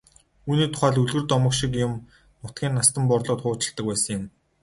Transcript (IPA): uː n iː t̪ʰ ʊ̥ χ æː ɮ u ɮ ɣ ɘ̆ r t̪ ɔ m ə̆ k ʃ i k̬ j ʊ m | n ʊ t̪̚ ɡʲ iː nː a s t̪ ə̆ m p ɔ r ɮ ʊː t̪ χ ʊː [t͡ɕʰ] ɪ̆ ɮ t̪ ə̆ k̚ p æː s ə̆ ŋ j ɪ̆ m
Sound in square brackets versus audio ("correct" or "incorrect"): incorrect